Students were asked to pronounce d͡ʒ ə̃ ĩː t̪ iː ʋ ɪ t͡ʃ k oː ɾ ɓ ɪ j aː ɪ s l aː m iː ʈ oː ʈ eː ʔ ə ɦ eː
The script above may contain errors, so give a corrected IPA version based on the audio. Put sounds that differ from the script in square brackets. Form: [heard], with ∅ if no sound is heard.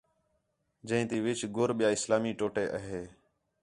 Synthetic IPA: d͡ʒ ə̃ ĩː t̪ iː ʋ ɪ t͡ʃ [ɡ] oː ɾ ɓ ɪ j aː ɪ s l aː m iː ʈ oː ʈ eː ʔ ə ɦ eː